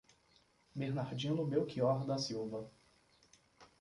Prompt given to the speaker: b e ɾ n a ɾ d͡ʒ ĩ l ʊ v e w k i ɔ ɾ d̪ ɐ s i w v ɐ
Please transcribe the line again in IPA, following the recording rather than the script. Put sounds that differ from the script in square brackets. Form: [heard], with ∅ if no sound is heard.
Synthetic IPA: b e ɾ n a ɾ d͡ʒ ĩ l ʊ [b] e w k i ɔ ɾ d̪ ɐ s i w v ɐ